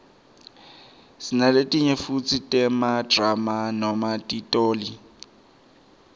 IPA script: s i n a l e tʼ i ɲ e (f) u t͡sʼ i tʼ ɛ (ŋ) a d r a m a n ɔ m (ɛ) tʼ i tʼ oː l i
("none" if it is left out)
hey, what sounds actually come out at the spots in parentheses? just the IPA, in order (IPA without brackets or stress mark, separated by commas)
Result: f, m, a